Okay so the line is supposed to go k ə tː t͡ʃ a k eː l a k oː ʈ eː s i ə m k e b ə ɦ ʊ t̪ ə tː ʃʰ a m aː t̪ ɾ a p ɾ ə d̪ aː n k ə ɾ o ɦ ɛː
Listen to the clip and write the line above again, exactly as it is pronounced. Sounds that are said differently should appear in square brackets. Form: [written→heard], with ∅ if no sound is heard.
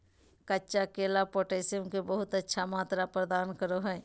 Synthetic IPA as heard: k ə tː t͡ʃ a k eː l a [k→p] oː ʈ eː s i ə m k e b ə ɦ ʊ t̪ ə tː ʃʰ a m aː t̪ ɾ a p ɾ ə d̪ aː n k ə ɾ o ɦ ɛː